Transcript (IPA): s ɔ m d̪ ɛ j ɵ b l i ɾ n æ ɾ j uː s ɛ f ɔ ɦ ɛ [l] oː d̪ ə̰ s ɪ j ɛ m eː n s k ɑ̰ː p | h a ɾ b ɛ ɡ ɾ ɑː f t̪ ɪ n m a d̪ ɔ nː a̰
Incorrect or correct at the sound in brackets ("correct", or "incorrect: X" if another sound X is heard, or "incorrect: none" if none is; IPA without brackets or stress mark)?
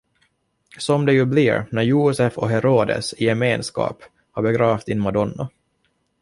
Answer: incorrect: ɾ